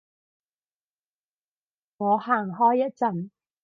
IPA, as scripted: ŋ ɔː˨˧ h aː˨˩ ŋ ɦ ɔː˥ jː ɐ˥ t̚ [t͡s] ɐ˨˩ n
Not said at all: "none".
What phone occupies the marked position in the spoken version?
t͡s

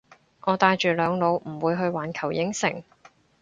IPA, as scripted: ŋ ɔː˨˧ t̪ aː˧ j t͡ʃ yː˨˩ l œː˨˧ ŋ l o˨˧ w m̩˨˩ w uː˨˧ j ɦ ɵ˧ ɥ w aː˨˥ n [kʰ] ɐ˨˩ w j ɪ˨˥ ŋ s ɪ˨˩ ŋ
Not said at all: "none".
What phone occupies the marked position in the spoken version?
kʰ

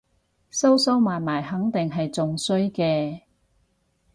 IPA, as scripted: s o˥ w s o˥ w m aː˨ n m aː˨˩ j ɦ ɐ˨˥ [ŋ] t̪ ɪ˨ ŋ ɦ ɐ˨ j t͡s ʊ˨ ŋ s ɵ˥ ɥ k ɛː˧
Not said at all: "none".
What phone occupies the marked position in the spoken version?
ŋ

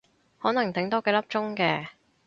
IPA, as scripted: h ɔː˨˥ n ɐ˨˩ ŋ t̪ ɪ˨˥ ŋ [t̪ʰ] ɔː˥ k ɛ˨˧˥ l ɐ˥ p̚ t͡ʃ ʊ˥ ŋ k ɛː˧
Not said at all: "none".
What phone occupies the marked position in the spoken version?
t̪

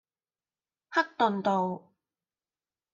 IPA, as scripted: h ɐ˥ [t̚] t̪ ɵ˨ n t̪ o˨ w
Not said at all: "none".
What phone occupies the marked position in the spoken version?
k̚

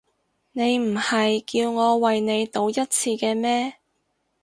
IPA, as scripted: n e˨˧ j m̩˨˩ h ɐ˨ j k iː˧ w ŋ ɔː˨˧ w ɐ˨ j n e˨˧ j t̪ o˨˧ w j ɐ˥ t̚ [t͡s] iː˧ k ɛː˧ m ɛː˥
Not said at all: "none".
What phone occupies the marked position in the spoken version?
t͡sʰ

